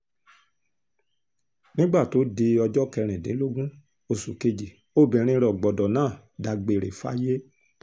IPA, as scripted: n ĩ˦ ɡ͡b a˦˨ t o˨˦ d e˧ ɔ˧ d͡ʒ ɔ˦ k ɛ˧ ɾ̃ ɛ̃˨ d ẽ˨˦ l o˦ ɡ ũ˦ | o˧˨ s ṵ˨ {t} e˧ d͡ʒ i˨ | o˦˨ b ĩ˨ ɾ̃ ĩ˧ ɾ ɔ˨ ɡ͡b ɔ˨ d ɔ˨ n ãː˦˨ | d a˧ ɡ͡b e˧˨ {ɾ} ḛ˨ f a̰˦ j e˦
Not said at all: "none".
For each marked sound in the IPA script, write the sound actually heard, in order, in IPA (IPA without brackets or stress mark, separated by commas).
k, ɾ